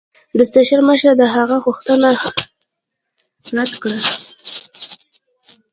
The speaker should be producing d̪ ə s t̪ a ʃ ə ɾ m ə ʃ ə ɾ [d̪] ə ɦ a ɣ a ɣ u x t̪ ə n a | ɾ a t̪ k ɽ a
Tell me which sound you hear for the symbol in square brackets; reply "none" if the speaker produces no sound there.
d̪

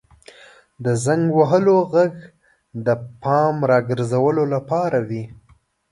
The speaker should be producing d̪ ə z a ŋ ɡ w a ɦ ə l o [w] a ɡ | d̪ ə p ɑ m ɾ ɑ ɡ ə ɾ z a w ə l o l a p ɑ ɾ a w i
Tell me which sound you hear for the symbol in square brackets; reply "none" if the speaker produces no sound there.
ɣ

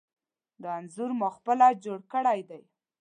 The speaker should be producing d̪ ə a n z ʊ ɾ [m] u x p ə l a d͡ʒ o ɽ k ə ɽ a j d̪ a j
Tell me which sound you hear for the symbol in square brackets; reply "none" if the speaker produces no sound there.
m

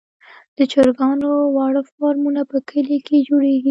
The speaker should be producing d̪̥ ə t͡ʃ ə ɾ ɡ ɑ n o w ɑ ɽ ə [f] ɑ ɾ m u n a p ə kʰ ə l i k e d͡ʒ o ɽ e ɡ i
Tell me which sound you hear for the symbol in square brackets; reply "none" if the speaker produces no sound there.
f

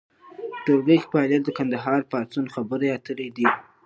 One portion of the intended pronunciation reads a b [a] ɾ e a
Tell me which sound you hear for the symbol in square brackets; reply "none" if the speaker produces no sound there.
ə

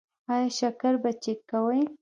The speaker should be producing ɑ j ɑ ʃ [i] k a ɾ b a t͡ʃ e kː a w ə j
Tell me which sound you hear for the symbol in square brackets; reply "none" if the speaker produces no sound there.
a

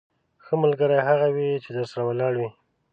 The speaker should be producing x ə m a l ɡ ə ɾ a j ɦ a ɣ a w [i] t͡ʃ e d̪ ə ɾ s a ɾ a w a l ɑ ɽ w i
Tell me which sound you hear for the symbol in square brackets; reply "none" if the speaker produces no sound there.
i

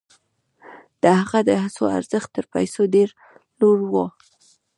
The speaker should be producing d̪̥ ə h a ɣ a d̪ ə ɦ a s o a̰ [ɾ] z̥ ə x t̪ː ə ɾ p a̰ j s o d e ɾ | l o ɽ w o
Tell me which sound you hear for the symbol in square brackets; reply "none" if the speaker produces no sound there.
ɾ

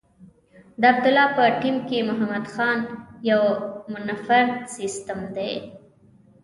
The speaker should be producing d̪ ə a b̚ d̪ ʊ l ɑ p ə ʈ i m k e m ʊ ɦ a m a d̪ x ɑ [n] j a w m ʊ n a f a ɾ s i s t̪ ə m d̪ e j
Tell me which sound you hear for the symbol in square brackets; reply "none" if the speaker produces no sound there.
n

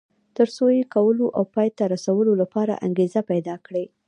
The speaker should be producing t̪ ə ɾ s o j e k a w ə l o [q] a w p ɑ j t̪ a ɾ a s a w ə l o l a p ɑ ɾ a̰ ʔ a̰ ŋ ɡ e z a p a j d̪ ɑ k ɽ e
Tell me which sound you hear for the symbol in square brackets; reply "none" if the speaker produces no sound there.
ʔ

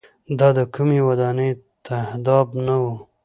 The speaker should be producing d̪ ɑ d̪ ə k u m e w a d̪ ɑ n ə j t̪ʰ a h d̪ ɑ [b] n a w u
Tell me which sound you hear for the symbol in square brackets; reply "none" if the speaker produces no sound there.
b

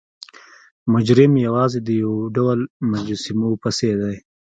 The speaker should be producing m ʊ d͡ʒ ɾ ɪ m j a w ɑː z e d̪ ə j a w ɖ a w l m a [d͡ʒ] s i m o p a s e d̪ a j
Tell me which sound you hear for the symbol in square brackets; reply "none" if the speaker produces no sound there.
d͡ʒ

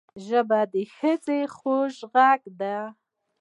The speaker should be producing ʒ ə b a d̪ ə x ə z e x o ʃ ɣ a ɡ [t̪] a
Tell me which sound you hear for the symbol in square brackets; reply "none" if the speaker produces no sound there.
d̪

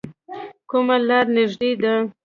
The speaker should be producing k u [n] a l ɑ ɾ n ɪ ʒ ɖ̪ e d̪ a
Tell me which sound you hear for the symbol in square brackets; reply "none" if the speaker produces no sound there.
m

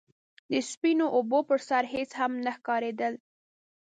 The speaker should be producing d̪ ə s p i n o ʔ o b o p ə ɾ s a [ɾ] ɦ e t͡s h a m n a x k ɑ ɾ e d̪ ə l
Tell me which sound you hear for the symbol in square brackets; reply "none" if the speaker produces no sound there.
ɾ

